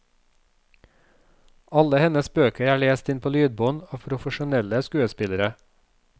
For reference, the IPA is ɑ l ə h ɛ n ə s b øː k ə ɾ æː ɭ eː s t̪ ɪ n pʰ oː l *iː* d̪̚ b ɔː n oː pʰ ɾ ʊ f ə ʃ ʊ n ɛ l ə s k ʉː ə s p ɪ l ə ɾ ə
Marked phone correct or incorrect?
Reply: incorrect: yː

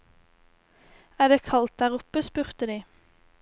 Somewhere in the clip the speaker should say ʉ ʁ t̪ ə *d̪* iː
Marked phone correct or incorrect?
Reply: correct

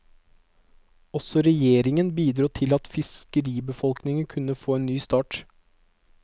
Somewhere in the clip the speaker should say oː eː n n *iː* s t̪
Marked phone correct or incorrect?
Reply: incorrect: yː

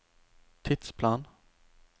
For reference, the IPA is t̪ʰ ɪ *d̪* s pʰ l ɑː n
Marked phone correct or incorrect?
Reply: incorrect: t̪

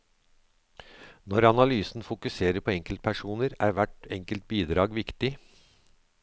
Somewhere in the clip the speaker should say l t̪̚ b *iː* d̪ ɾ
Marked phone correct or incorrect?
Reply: correct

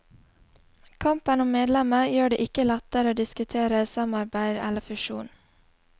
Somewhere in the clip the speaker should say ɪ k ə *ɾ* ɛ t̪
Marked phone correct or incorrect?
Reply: incorrect: l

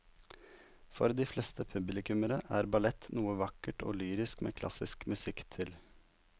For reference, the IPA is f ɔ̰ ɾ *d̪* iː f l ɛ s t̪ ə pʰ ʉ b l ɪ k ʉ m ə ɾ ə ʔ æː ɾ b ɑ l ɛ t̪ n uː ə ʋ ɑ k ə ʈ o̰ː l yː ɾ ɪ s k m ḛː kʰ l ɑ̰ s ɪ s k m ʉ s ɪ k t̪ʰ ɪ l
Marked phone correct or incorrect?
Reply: correct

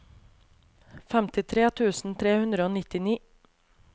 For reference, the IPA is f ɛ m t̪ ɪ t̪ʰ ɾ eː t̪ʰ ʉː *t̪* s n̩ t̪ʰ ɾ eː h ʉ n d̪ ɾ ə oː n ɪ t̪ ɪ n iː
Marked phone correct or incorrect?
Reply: incorrect: none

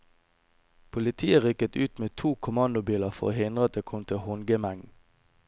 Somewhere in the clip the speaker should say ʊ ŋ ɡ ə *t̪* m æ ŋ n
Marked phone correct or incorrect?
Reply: incorrect: none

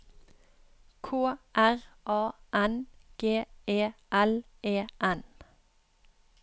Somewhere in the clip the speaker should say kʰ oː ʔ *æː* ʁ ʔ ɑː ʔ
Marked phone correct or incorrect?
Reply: incorrect: æ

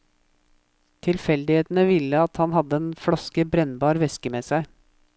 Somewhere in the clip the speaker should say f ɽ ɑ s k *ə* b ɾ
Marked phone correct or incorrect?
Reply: correct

